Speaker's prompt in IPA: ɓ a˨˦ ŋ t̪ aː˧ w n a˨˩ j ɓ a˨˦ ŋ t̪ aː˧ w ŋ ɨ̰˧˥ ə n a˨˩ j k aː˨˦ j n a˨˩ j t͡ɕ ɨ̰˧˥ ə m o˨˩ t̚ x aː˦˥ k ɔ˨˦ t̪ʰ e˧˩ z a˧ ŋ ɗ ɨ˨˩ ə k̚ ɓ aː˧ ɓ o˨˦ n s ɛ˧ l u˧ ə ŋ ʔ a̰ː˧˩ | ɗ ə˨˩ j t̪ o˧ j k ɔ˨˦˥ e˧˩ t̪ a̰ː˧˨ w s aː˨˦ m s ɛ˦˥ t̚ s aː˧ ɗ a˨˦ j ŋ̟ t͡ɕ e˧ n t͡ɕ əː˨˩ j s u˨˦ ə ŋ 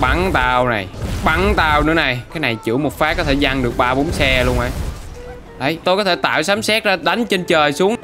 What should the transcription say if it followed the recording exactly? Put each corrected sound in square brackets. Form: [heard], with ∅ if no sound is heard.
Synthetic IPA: ɓ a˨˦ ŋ t̪ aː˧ w n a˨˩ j ɓ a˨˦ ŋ t̪ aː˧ w [n] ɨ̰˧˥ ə n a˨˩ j k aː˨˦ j n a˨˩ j t͡ɕ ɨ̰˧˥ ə m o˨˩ t̚ [f] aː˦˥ k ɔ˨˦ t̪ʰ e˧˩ z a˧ ŋ ɗ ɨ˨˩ ə k̚ ɓ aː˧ ɓ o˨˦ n s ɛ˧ l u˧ ə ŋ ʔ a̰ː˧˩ | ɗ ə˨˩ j t̪ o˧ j k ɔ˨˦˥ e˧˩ t̪ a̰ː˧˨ w s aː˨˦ m s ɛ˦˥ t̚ [z] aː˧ ɗ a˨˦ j ŋ̟ t͡ɕ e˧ n t͡ɕ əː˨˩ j s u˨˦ ə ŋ